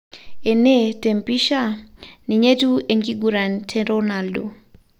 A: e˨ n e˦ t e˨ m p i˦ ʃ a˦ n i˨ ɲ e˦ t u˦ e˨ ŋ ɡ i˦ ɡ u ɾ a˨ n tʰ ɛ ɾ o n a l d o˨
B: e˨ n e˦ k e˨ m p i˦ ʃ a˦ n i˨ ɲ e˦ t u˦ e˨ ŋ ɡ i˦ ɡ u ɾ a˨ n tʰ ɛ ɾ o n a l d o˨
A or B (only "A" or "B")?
A